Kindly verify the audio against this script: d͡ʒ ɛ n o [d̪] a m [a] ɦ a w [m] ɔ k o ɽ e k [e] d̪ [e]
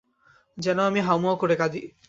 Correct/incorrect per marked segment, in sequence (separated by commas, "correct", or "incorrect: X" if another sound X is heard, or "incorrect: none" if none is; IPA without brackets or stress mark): incorrect: none, incorrect: i, correct, incorrect: a, incorrect: i